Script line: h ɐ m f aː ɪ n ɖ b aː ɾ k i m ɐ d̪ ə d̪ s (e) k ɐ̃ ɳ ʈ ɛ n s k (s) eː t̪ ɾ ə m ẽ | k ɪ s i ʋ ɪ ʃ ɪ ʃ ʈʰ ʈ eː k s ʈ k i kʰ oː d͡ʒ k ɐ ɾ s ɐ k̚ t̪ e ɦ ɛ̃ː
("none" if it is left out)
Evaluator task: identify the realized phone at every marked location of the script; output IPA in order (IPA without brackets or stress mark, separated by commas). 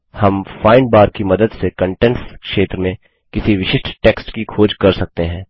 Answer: e, ʃ